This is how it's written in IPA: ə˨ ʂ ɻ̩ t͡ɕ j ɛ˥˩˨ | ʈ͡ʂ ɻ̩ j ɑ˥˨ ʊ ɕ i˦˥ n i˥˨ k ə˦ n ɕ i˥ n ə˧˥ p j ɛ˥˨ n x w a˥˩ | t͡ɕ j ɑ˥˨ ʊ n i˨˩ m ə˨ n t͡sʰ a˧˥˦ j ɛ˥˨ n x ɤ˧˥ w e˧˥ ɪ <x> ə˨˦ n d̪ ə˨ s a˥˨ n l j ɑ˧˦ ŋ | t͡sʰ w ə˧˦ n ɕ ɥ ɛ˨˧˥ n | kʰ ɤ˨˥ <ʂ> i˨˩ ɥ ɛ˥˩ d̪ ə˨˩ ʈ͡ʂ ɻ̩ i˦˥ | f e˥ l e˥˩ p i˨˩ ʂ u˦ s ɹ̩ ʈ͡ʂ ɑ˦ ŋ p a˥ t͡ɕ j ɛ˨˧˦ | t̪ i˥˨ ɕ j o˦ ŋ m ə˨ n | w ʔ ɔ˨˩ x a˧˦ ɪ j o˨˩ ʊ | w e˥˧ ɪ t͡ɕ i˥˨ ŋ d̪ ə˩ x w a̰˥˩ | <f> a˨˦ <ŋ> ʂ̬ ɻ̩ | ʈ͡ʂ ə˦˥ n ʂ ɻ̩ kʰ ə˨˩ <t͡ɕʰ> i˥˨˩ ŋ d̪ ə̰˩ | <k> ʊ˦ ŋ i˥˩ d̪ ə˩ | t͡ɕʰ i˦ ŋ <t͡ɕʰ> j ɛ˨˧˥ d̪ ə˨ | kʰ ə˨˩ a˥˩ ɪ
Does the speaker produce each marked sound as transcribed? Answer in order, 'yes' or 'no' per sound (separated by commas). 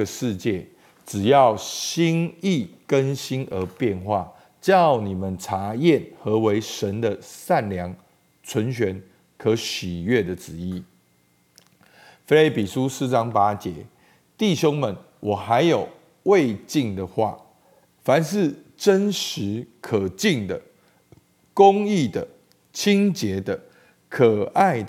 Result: no, no, yes, no, no, yes, no